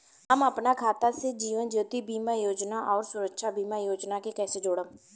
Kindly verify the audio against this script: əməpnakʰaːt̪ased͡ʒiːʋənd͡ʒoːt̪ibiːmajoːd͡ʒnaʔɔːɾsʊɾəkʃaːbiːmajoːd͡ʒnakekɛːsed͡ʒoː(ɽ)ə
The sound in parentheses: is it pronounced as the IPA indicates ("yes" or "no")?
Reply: yes